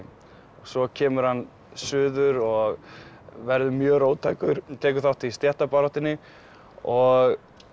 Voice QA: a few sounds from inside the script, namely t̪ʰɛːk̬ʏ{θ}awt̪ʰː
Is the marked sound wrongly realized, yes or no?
no